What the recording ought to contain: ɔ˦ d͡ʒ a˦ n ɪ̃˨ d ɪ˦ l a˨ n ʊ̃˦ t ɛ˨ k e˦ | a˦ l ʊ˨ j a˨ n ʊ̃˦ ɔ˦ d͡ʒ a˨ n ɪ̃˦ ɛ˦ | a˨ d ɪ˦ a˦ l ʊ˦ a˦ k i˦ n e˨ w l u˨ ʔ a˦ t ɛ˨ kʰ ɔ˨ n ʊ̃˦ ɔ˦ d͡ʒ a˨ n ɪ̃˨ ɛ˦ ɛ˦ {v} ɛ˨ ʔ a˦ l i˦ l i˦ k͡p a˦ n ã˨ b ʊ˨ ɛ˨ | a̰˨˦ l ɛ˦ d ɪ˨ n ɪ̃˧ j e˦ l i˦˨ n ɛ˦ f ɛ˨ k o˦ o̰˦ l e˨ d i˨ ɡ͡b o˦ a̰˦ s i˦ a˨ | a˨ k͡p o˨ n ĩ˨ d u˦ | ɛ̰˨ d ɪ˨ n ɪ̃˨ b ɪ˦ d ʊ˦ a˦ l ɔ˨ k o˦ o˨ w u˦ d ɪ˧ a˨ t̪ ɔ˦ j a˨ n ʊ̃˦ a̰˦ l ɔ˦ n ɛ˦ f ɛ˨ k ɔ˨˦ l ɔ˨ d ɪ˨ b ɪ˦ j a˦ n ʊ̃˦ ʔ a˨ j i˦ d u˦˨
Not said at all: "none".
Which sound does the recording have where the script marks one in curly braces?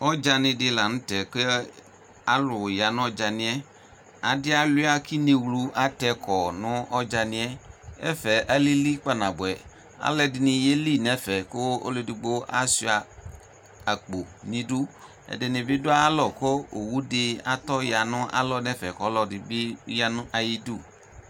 f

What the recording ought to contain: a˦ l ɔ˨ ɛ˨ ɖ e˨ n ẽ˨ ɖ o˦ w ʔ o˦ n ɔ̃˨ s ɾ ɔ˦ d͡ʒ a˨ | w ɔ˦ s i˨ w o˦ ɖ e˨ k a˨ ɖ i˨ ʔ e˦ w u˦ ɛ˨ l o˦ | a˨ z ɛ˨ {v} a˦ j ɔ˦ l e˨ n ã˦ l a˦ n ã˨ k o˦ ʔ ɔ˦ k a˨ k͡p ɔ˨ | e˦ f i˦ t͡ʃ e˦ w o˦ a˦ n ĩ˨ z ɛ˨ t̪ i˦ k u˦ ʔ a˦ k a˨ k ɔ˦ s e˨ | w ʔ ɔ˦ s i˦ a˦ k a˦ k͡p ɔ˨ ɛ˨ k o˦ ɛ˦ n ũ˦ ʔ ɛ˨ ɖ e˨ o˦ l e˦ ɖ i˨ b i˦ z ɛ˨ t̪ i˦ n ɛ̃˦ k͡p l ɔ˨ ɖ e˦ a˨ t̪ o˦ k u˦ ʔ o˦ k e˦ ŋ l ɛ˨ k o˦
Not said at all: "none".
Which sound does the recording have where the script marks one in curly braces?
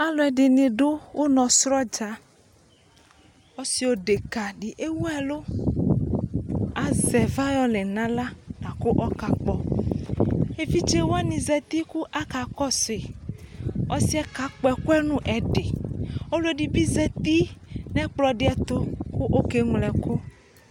v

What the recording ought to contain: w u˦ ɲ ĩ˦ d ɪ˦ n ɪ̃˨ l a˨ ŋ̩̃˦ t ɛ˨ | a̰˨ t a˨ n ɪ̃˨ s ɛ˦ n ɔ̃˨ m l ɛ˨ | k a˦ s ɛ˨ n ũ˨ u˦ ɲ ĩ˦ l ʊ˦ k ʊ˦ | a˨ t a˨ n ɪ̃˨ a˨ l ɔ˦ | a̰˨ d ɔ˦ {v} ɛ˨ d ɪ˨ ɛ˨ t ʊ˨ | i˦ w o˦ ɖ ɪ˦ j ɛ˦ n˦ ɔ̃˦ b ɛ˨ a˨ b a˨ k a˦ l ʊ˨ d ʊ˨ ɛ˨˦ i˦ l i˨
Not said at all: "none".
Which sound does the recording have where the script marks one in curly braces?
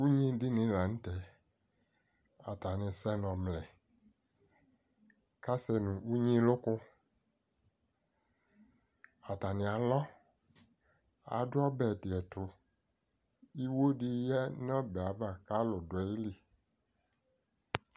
b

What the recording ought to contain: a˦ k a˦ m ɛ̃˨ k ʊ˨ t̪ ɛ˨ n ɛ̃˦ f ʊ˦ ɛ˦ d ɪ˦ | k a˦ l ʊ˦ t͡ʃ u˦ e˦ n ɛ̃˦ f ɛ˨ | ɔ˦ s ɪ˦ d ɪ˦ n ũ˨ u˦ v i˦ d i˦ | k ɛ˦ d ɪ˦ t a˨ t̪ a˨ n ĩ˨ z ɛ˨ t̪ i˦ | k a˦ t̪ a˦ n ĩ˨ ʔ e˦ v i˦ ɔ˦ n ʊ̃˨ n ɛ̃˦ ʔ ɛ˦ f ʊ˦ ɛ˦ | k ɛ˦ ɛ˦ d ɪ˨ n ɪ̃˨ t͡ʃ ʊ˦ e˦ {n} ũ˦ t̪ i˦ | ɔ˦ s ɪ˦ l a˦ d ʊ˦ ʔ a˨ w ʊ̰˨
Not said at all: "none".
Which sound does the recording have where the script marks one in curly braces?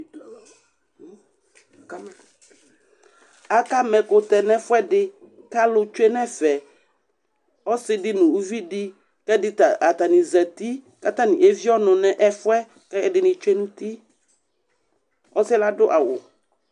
n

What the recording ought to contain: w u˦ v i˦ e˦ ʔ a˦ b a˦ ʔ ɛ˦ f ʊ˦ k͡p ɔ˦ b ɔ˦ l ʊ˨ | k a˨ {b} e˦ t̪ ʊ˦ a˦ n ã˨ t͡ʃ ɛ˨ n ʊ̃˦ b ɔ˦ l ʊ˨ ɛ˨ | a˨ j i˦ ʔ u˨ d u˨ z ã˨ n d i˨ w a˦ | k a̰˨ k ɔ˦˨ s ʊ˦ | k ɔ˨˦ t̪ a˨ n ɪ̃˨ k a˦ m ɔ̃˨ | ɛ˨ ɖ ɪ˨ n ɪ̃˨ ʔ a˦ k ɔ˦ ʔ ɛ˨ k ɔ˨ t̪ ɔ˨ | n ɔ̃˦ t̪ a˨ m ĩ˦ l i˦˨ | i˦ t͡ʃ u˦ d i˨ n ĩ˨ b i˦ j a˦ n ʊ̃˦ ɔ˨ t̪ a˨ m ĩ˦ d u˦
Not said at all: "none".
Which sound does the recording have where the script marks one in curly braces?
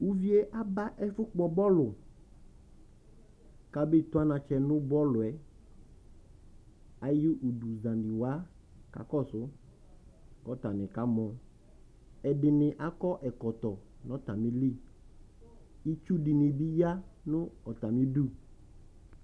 b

